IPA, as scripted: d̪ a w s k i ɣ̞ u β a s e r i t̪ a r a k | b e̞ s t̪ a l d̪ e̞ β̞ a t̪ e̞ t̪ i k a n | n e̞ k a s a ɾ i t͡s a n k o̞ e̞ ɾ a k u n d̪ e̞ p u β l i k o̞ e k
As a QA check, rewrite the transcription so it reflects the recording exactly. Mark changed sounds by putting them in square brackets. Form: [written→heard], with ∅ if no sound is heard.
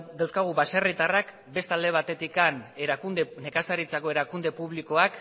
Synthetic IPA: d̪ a w s k [i→a] ɣ̞ u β a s e r i t̪ a r a k | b e̞ s t̪ a l d̪ e̞ β̞ a t̪ e̞ t̪ i k a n | n e̞ k a s a ɾ i t͡s a [n→∅] k o̞ e̞ ɾ a k u n d̪ e̞ p u β l i k o̞ [e→a] k